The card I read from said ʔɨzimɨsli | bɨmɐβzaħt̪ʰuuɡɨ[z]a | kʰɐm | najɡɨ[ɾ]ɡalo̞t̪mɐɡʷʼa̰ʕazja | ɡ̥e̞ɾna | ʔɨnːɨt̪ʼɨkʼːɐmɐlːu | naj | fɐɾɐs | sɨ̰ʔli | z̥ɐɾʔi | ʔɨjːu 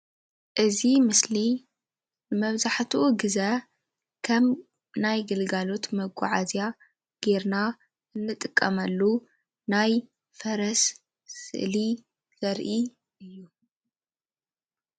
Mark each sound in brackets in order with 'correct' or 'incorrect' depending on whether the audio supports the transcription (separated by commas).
correct, incorrect